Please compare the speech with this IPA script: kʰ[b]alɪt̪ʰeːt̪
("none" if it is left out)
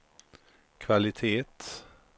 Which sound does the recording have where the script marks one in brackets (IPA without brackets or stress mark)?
v